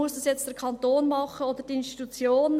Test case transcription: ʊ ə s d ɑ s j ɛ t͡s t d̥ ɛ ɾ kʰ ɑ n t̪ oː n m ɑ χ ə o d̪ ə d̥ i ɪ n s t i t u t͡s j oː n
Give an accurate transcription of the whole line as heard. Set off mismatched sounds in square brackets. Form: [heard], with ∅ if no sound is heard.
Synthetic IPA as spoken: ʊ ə s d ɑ s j ɛ t͡s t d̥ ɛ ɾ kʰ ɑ n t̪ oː n m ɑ χ ə o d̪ ə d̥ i ɪ n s t i t u t͡s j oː n